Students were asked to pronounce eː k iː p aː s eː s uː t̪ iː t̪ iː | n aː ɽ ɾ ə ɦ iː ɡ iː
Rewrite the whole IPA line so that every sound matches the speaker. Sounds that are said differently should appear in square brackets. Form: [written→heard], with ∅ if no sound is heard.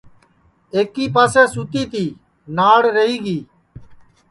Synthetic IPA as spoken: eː k iː p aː s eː s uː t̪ iː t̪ iː | n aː ɽ ɾ ə ɦ iː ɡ iː